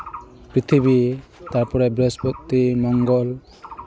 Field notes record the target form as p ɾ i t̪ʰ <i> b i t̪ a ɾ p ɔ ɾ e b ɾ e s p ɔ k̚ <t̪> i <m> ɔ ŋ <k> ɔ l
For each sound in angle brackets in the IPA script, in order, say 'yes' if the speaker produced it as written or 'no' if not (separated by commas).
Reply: yes, yes, yes, no